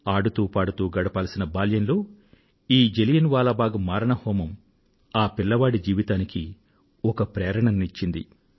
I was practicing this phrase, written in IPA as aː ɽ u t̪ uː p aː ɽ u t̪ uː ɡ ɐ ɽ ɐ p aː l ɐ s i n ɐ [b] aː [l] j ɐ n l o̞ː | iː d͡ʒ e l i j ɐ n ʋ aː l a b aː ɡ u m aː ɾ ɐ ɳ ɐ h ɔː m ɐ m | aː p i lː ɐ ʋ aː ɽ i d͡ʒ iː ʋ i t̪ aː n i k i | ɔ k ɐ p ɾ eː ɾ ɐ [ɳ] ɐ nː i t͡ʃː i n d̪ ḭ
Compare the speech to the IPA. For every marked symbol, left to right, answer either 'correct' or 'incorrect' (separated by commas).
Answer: correct, correct, correct